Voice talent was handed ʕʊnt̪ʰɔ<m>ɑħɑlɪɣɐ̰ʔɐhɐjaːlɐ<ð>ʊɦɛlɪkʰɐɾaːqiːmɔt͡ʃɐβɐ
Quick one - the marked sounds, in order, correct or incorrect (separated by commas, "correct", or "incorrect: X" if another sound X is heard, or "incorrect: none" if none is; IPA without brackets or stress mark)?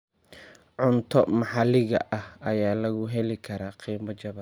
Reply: correct, incorrect: ɣ